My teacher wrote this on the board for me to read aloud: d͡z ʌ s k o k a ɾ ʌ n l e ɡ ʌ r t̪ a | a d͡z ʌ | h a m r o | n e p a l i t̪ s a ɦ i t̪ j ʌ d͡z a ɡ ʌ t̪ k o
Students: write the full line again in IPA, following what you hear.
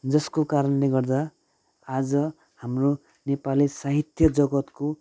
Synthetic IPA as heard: d͡z ʌ s k o k a ɾ ʌ n l e ɡ ʌ r d̪ a | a d͡z ʌ | h a m r o | n e p a l i s a ɦ i t̪ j ʌ d͡z ʌ ɡ ʌ t̪ k o